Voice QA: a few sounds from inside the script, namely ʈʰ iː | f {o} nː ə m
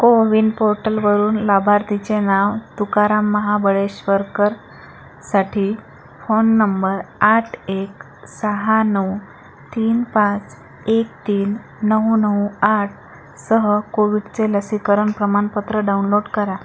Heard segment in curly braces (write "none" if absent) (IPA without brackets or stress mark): o